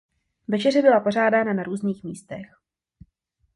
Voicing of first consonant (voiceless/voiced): voiced